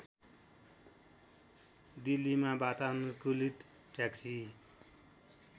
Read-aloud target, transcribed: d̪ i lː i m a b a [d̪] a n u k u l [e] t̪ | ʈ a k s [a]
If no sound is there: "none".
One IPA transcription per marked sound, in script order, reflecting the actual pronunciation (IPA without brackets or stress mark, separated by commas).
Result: t̪, i, i